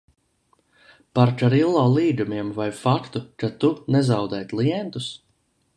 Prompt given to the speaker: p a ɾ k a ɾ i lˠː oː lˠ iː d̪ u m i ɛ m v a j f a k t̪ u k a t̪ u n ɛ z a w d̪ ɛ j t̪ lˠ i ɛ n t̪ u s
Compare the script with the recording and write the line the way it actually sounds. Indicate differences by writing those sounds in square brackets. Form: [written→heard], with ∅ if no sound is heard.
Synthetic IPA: p a ɾ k a ɾ i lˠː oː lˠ iː d̪ u m i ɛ m v a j f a k t̪ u k a t̪ u n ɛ z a w d̪ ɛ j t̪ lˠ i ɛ n t̪ u s